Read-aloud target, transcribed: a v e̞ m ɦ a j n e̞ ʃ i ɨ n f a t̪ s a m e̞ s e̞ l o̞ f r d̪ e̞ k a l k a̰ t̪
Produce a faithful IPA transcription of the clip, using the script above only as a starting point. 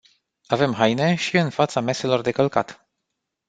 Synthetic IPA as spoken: a v e̞ m ɦ a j n e̞ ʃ i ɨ n f a t̪ s a m e̞ s e̞ l o̞ r d̪ e̞ k ə l k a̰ t̪